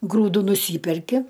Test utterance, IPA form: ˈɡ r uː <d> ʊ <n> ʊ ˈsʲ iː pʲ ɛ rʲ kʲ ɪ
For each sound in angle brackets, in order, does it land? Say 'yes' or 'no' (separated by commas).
yes, yes